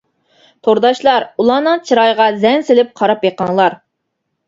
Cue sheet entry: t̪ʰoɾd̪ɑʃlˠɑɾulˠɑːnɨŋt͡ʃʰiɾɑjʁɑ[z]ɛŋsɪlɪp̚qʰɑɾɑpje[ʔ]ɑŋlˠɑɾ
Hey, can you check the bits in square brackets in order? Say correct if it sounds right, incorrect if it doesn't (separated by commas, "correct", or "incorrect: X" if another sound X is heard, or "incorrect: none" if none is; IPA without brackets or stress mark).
correct, incorrect: q